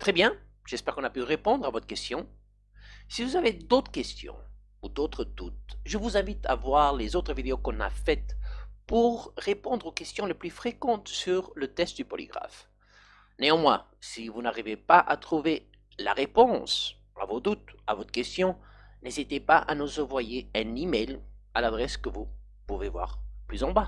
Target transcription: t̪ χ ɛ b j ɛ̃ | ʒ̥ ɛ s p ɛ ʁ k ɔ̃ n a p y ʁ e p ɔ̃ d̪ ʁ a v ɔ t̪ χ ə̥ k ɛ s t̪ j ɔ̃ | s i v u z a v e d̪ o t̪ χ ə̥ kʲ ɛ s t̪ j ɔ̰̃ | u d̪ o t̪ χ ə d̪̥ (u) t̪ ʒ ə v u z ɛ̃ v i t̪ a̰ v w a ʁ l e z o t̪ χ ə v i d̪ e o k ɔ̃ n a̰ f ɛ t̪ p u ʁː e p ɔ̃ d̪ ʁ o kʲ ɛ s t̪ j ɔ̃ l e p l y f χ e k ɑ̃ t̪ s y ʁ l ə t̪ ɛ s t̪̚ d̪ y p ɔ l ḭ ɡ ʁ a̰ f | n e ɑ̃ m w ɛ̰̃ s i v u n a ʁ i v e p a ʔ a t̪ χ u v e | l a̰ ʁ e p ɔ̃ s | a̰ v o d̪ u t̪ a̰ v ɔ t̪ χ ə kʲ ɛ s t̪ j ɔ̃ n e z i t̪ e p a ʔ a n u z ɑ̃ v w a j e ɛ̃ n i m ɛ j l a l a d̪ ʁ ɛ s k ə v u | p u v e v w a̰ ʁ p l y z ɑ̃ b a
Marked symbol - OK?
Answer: yes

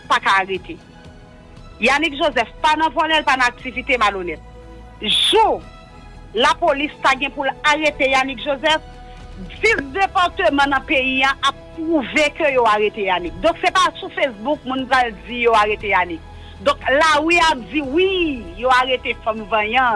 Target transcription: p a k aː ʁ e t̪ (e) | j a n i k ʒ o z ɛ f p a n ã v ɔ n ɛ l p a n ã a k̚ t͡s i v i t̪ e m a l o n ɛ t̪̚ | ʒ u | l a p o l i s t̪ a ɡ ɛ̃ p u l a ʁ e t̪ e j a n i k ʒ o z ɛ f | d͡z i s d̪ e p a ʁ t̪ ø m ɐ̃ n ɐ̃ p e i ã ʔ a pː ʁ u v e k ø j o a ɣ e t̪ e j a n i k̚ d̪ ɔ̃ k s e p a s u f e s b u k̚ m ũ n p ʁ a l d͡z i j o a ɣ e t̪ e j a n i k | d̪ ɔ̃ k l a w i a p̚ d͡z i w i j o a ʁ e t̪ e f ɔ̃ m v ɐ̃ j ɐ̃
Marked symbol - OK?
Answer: yes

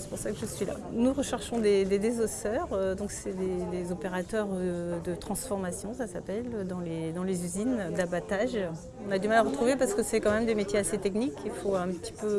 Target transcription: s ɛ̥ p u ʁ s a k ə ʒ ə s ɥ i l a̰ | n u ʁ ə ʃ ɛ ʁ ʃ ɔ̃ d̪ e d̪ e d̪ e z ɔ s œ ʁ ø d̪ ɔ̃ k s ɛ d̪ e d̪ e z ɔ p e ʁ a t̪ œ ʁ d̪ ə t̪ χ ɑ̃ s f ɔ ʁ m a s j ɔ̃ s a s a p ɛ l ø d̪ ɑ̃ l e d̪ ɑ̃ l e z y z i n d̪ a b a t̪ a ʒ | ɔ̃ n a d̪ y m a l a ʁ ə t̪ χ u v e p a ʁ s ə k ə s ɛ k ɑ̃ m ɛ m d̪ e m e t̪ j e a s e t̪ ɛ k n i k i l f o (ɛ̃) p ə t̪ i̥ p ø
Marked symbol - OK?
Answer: yes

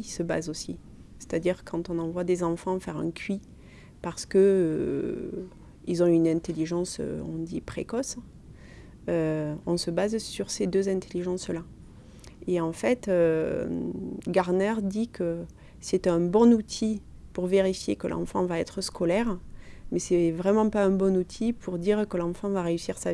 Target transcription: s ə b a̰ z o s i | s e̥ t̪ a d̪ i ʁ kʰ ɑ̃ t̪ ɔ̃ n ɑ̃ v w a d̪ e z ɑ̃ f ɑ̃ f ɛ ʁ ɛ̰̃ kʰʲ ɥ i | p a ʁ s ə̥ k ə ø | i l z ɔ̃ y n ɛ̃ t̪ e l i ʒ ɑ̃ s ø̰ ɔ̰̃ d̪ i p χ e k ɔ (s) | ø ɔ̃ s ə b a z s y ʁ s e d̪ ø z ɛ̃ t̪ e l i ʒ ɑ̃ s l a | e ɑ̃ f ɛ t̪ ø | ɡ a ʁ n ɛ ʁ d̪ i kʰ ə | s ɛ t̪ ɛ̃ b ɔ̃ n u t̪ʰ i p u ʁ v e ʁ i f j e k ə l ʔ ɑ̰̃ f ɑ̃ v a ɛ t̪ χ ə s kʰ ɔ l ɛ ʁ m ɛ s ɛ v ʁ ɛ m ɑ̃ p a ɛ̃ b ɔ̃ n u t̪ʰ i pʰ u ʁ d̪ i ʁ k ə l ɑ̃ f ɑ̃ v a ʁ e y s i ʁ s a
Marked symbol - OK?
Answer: yes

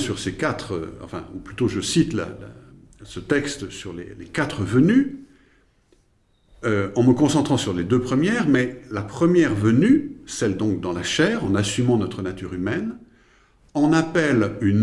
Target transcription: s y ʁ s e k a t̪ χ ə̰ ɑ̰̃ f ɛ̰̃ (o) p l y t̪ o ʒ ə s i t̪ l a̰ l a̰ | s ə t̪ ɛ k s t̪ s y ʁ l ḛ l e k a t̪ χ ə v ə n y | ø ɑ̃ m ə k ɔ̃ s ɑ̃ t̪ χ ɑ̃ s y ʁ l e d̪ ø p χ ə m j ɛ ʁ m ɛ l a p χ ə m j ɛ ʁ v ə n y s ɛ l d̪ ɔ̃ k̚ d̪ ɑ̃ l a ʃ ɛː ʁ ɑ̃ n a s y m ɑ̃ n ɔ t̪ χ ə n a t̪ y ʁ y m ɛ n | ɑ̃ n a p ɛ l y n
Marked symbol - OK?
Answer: no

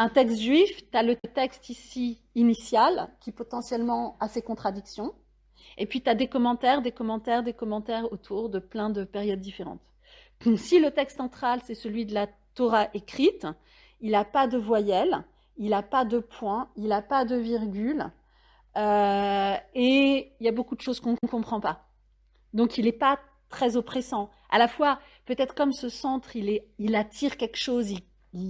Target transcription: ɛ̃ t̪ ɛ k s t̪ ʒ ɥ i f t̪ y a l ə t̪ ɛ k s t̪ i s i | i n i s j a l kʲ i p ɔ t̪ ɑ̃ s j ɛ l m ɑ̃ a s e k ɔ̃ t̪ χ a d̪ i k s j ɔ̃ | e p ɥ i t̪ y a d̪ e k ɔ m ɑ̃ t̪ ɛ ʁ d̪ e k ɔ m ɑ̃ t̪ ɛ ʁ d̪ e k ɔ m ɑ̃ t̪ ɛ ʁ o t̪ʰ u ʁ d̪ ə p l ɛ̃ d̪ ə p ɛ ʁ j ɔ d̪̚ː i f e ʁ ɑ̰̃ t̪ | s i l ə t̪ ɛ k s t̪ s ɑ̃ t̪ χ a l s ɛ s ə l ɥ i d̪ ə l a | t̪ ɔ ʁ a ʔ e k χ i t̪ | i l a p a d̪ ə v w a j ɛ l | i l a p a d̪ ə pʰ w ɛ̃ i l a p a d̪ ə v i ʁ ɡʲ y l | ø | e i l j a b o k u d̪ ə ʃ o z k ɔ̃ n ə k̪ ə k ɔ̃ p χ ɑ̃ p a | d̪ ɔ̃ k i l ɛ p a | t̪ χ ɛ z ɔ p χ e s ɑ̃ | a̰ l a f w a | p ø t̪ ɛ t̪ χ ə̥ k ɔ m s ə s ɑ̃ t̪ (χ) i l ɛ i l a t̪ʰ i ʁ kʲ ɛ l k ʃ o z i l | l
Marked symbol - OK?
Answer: yes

